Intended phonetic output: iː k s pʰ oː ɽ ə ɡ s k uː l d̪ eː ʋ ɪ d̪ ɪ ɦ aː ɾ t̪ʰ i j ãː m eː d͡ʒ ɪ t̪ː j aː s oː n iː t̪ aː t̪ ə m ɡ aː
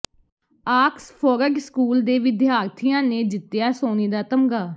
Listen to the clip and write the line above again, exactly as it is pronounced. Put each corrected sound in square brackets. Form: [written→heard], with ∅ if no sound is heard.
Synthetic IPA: [iː→aː] k s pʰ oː [ɽ→ɾ] ə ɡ s k uː l d̪ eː ʋ ɪ d̪ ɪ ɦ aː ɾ t̪ʰ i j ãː [m→n] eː d͡ʒ ɪ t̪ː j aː s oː n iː [t̪→d̪] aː t̪ ə m ɡ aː